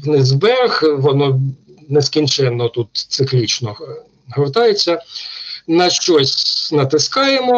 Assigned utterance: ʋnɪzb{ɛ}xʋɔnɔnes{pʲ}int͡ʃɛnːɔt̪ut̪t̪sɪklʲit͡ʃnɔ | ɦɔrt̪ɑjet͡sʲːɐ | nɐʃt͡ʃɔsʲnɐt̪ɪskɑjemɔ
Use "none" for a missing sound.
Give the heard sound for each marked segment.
ɛ, kʲ

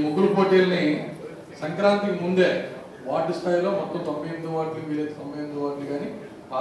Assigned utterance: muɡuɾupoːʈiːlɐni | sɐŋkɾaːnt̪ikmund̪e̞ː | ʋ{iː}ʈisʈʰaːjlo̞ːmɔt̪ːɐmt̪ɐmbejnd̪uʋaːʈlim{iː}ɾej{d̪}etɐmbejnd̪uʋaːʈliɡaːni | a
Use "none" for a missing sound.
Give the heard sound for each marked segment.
aː, iː, t̪

